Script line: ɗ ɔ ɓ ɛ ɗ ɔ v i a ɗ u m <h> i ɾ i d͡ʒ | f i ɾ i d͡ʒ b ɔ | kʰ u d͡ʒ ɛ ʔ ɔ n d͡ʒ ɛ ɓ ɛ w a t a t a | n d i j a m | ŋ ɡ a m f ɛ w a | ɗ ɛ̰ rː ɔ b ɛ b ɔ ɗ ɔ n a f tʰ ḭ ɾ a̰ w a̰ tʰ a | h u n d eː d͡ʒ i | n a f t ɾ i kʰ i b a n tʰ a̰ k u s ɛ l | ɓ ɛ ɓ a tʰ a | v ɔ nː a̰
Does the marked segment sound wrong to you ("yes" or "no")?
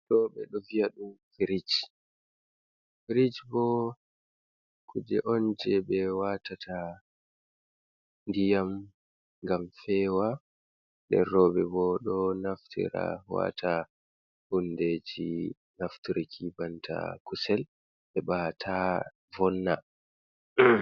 yes